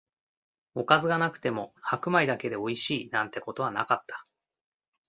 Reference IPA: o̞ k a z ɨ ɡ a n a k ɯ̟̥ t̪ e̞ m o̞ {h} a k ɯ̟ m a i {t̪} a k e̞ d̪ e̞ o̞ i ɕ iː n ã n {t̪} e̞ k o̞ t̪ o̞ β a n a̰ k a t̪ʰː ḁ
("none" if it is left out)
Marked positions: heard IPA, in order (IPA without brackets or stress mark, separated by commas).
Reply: h, d̪, t̪